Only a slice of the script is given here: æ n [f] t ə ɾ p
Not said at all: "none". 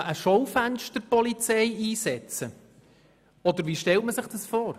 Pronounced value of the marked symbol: ʃ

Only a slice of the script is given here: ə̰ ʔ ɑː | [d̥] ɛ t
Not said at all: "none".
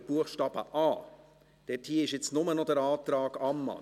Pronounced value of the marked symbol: d̥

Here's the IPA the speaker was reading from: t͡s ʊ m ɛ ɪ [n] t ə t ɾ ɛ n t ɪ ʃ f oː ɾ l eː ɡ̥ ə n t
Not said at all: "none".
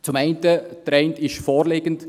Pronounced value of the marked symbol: n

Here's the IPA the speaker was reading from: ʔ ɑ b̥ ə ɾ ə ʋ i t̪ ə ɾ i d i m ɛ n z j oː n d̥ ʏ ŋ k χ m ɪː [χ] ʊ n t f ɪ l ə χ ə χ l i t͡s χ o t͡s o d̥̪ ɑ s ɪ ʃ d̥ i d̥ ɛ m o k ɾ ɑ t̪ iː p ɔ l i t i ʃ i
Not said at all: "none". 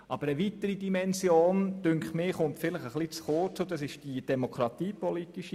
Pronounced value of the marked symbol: χ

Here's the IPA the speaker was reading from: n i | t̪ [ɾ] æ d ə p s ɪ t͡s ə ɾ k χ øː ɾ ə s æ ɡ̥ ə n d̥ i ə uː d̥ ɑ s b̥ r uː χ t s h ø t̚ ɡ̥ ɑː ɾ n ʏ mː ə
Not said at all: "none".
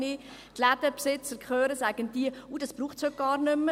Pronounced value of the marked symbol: l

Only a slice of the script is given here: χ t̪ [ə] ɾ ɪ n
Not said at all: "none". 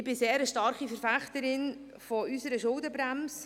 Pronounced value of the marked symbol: ə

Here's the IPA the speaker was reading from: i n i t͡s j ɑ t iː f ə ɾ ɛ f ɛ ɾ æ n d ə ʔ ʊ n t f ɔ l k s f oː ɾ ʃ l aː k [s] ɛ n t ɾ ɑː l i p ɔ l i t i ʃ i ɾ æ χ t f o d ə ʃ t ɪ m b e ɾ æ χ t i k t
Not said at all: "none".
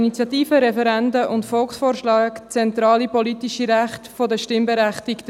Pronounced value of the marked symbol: t͡s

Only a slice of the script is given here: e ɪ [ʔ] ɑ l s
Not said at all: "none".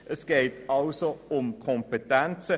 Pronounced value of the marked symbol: t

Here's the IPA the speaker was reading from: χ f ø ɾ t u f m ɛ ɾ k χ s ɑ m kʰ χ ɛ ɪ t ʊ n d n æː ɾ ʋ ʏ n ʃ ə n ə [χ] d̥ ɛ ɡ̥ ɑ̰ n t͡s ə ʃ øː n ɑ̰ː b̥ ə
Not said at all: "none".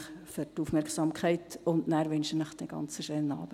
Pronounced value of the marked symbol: χ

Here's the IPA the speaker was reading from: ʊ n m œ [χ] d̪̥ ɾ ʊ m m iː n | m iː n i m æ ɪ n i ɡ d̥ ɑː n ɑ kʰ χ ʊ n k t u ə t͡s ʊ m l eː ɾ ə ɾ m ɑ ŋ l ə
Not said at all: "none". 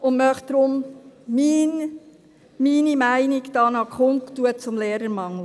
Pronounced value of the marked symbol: χ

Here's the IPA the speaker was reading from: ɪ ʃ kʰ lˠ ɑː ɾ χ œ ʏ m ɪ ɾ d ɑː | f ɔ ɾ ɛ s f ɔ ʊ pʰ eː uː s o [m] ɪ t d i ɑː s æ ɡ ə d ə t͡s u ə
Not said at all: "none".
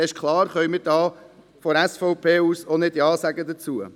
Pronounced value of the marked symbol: n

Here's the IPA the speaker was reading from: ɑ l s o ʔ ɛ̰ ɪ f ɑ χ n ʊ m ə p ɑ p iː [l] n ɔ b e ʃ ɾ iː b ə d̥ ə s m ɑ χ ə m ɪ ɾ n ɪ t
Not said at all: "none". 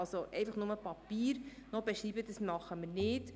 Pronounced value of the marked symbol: ɾ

